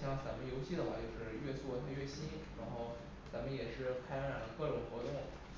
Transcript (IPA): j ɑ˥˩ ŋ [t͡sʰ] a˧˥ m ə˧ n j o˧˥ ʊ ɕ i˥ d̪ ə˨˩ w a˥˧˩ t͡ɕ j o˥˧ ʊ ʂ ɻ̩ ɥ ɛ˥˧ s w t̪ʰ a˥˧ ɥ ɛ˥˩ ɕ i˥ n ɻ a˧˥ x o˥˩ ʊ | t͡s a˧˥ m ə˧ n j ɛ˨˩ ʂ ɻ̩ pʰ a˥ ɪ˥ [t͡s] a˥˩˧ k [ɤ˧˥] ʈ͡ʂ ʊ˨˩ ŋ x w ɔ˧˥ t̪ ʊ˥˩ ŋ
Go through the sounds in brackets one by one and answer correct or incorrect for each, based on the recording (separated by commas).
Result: incorrect, incorrect, incorrect